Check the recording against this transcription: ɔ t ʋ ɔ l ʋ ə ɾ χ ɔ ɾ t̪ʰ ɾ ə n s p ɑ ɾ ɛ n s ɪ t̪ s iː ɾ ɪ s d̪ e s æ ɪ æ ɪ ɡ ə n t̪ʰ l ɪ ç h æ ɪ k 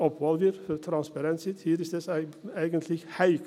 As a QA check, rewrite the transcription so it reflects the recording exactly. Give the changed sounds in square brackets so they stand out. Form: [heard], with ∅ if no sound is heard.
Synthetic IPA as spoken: ɔ [p] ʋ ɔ l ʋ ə ɾ [f] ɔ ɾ t̪ʰ ɾ [ɑ] n s p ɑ ɾ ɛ n s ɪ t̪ [h] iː ɾ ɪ s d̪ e s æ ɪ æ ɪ ɡ ə n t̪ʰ l ɪ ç h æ ɪ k